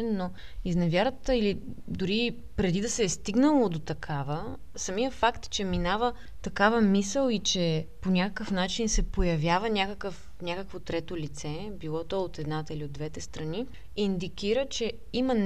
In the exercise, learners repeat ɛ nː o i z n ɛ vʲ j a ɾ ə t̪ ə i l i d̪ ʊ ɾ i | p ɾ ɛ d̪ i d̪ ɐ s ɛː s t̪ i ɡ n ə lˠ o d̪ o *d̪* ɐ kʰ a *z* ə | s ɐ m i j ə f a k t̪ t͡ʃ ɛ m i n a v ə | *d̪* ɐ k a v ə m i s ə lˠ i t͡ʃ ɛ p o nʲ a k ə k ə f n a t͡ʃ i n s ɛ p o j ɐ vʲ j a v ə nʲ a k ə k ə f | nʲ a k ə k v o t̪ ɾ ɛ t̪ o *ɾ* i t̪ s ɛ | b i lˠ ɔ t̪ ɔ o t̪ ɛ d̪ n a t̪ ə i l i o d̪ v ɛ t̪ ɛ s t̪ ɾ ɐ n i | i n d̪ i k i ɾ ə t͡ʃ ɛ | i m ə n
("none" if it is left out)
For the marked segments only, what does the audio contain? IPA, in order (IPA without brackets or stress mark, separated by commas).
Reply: t̪, v, t̪, l